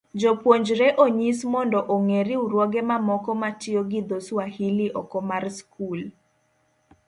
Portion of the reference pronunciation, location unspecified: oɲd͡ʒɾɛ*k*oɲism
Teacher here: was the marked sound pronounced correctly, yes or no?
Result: no